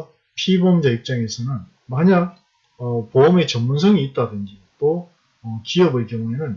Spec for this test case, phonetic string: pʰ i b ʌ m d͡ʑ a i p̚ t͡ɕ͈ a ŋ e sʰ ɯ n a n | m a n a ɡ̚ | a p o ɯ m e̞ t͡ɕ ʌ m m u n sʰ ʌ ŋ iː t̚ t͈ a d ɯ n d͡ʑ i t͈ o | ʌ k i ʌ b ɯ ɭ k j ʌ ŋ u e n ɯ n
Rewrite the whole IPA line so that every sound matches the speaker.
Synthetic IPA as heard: pʰ i b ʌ m d͡ʑ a i p̚ t͡ɕ͈ a ŋ e sʰ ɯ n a n | m a ɲ a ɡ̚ | ʌ p o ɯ m e̞ t͡ɕ ʌ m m u n sʰ ʌ ŋ iː t̚ t͈ a d ɯ n d͡ʑ i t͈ o | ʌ k i ʌ b ɯ ɭ k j ʌ ŋ u e n ɯ n